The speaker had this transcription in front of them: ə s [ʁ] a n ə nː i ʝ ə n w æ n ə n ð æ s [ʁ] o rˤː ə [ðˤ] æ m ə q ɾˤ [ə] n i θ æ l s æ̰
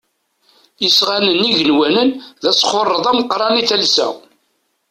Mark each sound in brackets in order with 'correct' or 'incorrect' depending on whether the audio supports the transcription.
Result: correct, incorrect: χ, correct, incorrect: ɑ

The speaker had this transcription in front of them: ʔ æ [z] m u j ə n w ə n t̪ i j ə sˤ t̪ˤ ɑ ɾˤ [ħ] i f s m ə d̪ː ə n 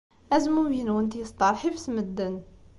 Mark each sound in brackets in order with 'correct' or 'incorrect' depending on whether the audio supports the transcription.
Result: correct, correct

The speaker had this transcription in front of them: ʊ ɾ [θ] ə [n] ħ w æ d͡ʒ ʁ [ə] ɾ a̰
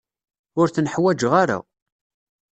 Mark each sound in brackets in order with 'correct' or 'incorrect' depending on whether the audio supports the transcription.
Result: correct, correct, incorrect: a

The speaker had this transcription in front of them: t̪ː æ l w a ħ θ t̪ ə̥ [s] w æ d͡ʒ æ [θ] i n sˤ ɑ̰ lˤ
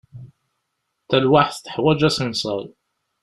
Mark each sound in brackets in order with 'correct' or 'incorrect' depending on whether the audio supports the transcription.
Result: incorrect: ħ, incorrect: s

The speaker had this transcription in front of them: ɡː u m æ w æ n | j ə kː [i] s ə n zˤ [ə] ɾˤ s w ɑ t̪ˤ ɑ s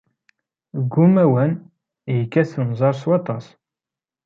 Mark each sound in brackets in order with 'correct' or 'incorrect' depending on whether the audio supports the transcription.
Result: incorrect: æ, incorrect: ɑ

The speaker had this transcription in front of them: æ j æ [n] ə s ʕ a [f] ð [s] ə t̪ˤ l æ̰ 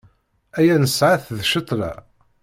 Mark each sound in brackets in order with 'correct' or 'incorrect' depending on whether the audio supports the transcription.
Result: correct, incorrect: θ, incorrect: ʃ

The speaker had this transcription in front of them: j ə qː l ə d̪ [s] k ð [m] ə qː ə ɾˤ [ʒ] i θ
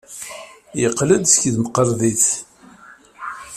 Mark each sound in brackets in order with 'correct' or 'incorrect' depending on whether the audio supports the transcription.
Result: correct, correct, incorrect: ð

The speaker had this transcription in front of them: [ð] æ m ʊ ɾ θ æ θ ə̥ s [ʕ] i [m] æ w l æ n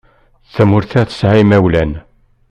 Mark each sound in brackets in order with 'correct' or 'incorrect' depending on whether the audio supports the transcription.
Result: incorrect: θ, correct, correct

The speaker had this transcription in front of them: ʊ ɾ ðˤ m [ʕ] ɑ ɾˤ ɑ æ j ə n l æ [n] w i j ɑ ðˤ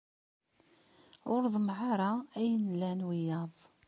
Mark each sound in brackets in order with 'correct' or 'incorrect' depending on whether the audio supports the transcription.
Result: correct, correct

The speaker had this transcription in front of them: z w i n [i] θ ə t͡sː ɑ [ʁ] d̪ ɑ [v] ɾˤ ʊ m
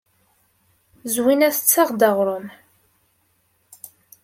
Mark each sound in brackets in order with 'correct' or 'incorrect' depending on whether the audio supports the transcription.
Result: incorrect: æ, correct, incorrect: ʁ

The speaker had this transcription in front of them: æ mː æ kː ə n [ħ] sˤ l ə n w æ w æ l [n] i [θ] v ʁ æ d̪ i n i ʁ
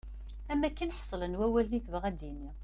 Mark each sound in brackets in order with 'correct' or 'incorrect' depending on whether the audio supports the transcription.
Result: correct, correct, correct

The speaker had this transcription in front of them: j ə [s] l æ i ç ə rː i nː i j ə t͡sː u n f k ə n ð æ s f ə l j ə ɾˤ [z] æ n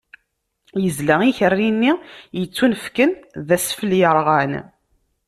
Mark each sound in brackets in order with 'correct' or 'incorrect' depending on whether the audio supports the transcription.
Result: incorrect: z, incorrect: ʁ

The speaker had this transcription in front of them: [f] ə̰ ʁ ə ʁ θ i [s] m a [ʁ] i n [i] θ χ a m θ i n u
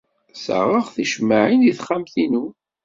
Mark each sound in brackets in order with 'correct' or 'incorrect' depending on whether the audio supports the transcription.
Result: incorrect: s, incorrect: ʃ, incorrect: ʕ, correct

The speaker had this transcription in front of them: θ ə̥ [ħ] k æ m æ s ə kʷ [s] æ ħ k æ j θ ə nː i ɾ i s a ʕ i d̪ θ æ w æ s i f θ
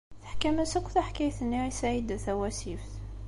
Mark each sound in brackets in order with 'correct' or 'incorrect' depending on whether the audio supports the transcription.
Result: correct, incorrect: θ

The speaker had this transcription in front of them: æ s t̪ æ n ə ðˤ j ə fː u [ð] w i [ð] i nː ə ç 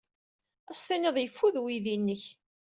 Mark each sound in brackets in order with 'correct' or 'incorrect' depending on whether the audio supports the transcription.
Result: correct, correct

